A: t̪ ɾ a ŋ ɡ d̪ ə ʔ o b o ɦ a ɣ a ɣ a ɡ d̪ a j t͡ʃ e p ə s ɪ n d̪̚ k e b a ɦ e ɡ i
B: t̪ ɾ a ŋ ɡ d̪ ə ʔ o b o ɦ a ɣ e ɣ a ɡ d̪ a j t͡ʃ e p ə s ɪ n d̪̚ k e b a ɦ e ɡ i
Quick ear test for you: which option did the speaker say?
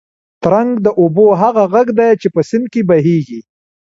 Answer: A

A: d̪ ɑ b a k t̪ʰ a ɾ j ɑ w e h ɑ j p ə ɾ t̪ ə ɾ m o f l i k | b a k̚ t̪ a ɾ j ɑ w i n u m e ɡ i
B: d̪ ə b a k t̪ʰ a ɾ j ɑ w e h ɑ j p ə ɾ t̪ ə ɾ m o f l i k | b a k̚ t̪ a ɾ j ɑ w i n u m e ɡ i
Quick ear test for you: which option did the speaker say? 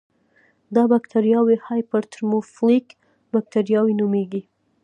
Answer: A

